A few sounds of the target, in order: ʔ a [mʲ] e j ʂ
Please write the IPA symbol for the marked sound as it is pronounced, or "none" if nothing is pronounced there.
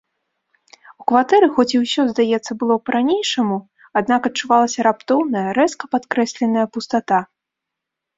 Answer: nʲ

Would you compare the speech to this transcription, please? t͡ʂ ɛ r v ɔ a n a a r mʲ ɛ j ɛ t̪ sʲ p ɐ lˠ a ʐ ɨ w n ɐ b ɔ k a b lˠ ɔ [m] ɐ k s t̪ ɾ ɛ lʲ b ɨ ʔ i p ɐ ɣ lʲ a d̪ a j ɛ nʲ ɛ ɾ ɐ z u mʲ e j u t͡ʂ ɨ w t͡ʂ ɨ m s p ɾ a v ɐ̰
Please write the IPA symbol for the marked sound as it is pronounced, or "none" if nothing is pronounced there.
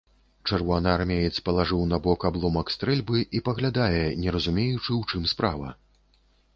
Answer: m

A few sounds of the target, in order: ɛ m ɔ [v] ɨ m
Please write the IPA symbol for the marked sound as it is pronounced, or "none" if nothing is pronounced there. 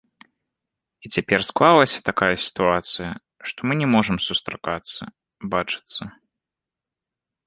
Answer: ʐ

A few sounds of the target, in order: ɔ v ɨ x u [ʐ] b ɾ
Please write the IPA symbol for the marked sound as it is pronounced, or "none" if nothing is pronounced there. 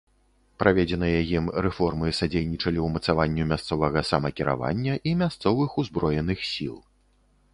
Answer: z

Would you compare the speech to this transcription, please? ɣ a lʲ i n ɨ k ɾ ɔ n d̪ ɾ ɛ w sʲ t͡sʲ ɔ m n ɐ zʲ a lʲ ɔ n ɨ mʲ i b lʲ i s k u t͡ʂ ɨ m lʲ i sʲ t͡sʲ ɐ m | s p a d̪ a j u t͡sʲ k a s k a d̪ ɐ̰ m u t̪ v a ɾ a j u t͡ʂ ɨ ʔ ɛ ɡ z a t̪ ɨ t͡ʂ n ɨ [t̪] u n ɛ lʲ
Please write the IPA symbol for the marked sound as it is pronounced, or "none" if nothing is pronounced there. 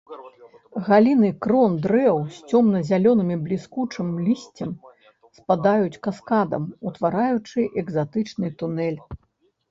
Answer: t̪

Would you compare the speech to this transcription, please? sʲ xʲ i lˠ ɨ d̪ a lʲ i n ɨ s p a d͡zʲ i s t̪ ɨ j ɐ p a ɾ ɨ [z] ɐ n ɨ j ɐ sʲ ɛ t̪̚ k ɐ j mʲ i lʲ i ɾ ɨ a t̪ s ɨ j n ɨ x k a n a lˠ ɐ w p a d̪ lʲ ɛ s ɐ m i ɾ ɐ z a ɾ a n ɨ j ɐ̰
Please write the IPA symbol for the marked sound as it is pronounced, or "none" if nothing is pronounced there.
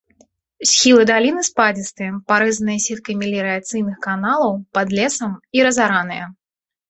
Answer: z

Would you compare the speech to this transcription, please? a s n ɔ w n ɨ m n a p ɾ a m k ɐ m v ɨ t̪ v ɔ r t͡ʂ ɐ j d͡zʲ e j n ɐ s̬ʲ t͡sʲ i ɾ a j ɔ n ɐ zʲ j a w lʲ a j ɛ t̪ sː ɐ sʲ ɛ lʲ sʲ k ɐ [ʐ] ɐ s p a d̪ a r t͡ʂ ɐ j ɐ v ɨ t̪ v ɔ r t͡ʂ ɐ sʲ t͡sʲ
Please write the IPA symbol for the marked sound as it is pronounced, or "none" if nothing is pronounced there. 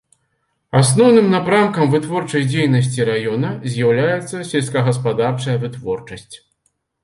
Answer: ɣ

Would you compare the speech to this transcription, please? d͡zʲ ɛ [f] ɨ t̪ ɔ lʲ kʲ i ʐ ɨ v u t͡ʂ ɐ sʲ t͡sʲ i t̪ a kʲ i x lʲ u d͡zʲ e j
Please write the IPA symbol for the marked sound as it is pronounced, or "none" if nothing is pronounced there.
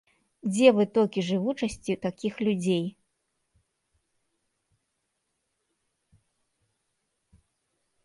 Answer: v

